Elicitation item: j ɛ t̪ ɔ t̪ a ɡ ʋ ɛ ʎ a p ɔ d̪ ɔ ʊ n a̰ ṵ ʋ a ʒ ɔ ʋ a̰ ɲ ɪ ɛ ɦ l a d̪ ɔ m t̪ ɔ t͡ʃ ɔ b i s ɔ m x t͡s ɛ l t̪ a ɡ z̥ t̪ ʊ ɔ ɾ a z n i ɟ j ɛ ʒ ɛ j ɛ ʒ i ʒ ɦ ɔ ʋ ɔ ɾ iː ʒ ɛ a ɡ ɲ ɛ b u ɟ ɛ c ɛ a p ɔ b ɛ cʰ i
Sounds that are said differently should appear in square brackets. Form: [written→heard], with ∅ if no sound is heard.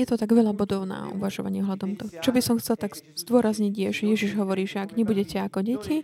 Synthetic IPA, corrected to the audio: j ɛ t̪ ɔ t̪ a ɡ ʋ ɛ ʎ a [p→b] ɔ d̪ ɔ ʊ n a̰ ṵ ʋ a ʒ ɔ ʋ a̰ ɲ ɪ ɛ ɦ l a d̪ ɔ m t̪ ɔ t͡ʃ ɔ b i s ɔ m x t͡s ɛ l t̪ a ɡ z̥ [t̪→d̪] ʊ ɔ ɾ a z [n→ɲ] i ɟ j ɛ ʒ ɛ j ɛ ʒ i ʒ ɦ ɔ ʋ ɔ ɾ iː ʒ ɛ a ɡ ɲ ɛ b u ɟ ɛ c ɛ a [p→k] ɔ [b→ɟ] ɛ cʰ i